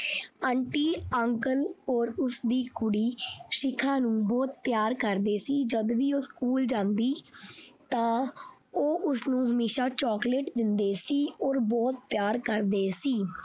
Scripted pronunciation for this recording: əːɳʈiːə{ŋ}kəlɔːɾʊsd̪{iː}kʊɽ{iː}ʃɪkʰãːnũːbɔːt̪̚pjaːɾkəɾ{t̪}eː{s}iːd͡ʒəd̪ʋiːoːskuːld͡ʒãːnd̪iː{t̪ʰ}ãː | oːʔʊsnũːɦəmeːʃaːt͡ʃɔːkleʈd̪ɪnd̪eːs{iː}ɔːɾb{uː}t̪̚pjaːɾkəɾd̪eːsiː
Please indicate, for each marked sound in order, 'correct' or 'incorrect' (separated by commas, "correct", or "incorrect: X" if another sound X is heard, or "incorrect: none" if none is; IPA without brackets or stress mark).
correct, correct, correct, incorrect: d̪, correct, incorrect: t̪, correct, incorrect: ɔː